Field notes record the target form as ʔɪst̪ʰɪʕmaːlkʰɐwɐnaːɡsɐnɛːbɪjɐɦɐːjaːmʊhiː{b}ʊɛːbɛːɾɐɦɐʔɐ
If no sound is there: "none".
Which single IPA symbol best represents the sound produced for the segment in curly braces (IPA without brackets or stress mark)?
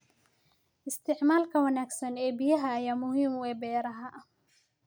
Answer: m